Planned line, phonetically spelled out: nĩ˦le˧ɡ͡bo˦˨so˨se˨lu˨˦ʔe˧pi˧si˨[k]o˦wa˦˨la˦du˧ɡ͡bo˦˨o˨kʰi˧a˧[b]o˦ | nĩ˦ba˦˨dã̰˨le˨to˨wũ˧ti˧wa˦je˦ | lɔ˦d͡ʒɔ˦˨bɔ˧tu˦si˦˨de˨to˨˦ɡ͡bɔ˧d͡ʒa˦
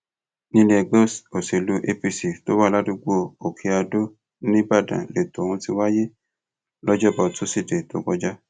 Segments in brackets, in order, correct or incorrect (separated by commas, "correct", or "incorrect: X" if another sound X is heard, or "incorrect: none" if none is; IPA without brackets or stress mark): incorrect: t, incorrect: d